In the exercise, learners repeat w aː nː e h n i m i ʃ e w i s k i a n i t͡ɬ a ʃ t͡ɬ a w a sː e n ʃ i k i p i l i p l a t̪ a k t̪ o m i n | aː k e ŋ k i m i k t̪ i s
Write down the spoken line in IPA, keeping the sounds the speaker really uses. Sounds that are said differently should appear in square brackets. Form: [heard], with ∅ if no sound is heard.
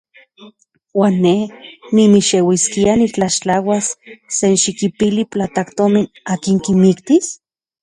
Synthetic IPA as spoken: w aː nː e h n i m i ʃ e w i s k i a n i t͡ɬ a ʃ t͡ɬ a w a sː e n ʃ i k i p i l i p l a t̪ a k t̪ o m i n | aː k [i] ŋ k i m i k t̪ i s